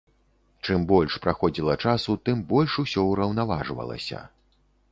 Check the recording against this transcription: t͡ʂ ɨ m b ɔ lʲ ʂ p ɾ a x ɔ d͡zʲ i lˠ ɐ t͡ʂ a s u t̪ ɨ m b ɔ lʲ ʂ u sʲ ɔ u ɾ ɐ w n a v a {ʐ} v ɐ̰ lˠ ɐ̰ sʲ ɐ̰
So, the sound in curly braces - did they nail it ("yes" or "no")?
yes